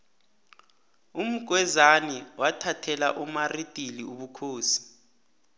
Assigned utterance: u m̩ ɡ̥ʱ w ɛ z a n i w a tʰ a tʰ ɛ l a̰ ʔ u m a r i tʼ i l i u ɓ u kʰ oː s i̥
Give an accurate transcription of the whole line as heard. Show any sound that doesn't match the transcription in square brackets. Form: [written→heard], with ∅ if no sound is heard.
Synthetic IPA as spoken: u m̩ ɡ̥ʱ w ɛ z a n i w a tʰ a tʰ ɛ l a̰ ʔ u m a r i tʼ i l i u ɓ u kʰ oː s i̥